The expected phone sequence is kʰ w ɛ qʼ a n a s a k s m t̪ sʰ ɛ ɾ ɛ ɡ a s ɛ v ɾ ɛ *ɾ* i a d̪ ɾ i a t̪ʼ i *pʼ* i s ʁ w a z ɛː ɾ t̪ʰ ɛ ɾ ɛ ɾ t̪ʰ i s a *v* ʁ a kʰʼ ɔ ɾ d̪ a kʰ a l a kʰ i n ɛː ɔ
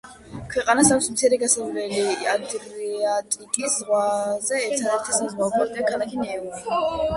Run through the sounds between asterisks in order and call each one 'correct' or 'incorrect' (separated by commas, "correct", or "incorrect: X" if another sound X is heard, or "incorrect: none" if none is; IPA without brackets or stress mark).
incorrect: l, incorrect: kʼ, incorrect: z